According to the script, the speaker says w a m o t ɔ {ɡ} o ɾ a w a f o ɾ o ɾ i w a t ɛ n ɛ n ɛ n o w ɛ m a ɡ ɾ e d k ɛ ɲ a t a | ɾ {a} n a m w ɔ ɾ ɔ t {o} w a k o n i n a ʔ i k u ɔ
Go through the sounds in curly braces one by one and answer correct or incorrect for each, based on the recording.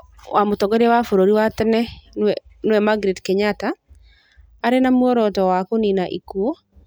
correct, incorrect: e, incorrect: ɔ

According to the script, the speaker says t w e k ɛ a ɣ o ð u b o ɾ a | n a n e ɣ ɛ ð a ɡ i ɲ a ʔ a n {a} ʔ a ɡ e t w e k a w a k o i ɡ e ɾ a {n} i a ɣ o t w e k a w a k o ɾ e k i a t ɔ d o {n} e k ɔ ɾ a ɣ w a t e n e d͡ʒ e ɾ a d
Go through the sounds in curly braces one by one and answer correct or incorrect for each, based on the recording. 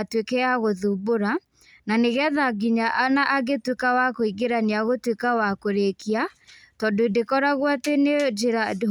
correct, correct, incorrect: d

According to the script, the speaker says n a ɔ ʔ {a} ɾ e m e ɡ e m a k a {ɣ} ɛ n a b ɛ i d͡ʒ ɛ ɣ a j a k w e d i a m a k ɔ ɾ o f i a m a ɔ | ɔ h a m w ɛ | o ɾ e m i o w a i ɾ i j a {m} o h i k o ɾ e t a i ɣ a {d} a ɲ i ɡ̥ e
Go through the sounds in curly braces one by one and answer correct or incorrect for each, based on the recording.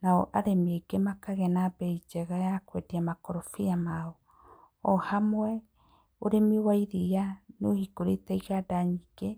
correct, correct, incorrect: n, correct

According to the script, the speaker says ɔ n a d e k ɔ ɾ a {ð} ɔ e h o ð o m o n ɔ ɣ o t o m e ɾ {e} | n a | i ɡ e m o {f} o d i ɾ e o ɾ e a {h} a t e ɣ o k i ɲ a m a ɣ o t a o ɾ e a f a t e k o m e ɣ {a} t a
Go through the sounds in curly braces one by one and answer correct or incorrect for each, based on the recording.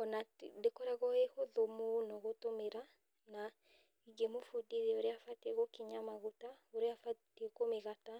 incorrect: ɣ, incorrect: a, correct, incorrect: f, correct

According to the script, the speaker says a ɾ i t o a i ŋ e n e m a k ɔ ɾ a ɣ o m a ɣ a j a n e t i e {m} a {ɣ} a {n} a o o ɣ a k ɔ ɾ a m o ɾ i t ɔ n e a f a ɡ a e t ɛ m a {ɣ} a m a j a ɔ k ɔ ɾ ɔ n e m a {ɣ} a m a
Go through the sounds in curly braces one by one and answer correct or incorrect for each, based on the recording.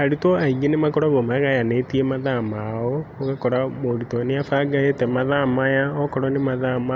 correct, incorrect: ð, incorrect: m, incorrect: ð, incorrect: ð

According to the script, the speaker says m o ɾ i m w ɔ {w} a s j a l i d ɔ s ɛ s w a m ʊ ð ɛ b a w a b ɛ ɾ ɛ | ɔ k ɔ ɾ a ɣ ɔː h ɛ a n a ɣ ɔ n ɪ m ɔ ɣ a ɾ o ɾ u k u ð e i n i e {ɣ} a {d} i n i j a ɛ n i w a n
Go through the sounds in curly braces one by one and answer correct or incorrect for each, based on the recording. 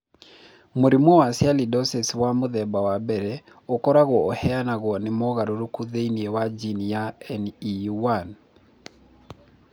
correct, incorrect: w, incorrect: d͡ʒ

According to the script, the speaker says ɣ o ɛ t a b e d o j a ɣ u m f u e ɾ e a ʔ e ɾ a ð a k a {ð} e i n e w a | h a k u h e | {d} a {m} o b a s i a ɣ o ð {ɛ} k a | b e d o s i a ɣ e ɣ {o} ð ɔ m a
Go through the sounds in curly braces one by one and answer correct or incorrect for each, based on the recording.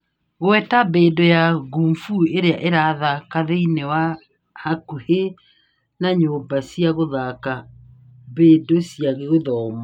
correct, incorrect: n, incorrect: ɲ, incorrect: a, correct

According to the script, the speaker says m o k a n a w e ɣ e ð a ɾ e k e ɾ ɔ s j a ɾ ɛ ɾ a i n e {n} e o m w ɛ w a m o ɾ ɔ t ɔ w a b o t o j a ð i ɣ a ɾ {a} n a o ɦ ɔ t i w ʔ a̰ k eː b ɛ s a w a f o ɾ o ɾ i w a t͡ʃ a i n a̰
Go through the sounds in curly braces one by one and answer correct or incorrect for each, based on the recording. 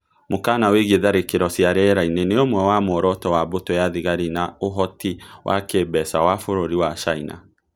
correct, incorrect: i

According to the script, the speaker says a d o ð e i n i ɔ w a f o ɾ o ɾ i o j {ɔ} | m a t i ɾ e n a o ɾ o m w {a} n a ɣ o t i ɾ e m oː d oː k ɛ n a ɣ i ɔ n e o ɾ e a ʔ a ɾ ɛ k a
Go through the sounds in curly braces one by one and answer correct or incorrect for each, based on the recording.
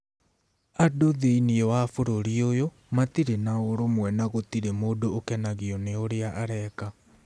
incorrect: o, incorrect: ɛ

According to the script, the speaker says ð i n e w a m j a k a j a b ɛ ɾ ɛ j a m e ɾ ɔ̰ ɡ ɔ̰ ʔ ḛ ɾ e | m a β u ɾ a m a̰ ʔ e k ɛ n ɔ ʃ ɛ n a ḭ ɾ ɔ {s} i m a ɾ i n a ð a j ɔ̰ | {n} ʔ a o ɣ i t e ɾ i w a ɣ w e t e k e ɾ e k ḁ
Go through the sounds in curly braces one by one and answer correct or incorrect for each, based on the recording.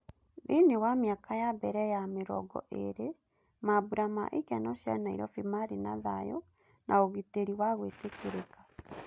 incorrect: f, correct

